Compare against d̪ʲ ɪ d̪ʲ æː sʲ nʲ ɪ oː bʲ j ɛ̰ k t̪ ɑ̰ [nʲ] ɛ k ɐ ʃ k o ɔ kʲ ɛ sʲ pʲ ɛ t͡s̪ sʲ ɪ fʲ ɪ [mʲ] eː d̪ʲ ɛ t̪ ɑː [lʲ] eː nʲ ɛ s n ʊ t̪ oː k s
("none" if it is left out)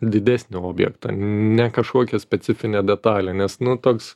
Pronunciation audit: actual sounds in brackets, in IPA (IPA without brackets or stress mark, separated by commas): nʲ, nʲ, lʲ